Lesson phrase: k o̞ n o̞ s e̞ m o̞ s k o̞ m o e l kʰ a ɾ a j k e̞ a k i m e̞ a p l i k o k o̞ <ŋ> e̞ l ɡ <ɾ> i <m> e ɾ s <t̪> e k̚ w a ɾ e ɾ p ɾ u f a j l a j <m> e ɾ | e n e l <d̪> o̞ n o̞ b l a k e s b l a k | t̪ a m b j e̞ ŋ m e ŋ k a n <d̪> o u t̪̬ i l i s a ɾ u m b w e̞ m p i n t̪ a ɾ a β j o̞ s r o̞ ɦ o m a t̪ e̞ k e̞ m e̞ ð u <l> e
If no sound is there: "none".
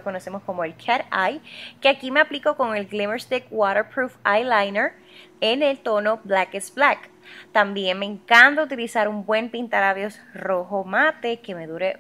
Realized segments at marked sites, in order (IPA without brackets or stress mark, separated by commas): ŋ, l, m, t̪, n, t̪, t̪, ɾ